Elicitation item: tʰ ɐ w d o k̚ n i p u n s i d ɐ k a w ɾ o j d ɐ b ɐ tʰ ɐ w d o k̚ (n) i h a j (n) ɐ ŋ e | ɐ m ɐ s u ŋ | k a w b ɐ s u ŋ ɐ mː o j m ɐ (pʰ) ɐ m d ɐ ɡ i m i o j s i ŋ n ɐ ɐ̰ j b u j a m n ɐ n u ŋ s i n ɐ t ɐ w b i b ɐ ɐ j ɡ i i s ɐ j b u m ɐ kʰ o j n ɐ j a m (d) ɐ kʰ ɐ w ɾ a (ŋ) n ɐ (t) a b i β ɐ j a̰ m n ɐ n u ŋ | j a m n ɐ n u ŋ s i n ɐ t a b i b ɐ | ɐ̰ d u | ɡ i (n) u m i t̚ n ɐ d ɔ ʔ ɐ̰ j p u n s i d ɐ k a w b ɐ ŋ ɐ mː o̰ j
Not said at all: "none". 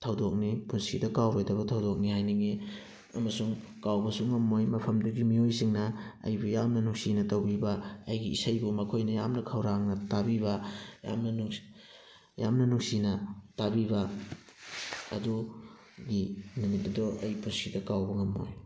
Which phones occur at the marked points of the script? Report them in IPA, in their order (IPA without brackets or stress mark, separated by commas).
n, n, pʰ, n, ŋ, t, n